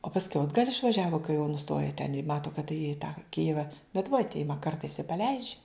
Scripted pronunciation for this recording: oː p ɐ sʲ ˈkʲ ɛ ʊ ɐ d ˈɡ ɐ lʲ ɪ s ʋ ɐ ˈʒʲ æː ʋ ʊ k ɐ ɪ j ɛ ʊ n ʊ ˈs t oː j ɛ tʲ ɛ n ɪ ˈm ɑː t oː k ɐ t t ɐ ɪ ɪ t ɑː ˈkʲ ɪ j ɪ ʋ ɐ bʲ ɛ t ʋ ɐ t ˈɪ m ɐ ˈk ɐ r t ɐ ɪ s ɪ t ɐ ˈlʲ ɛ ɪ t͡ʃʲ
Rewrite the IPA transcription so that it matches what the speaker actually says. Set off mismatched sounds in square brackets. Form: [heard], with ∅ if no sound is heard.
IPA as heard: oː p ɐ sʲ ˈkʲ ɛ ʊ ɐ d ˈɡ ɐ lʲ ɪ [ʃ] ʋ ɐ ˈʒʲ æː ʋ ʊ k ɐ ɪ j ɛ ʊ n ʊ ˈs t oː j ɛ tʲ ɛ n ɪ ˈm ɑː t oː k ɐ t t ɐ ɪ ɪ t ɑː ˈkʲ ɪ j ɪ ʋ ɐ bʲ ɛ t ʋ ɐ t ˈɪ m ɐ ˈk ɐ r t ɐ ɪ s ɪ [p] ɐ ˈlʲ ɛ ɪ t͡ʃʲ